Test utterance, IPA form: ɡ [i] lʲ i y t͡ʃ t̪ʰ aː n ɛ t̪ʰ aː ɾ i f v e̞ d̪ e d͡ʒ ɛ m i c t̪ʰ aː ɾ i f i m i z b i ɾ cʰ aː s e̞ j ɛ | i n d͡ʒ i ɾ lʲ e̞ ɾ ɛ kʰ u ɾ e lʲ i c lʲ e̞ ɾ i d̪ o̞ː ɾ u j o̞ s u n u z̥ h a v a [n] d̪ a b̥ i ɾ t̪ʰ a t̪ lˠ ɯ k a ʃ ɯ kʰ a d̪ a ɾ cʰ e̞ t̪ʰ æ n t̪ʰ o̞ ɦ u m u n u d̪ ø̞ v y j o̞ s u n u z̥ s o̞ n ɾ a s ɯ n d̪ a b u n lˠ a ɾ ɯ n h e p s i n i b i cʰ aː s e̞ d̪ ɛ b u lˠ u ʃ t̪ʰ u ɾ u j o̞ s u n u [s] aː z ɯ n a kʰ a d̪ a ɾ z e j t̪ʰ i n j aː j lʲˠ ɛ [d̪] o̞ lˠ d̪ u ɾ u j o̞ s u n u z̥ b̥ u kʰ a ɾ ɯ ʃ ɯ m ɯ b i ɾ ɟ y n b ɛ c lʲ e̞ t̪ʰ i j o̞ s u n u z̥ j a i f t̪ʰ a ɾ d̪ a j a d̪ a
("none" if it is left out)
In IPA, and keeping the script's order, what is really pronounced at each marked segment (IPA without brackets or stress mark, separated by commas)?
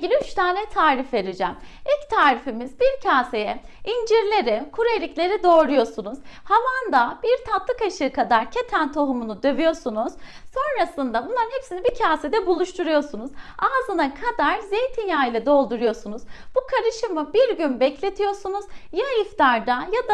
i, n, z, d̪